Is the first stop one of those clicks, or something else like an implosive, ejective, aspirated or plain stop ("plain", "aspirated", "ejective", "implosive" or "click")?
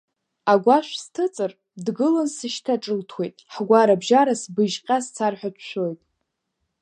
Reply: plain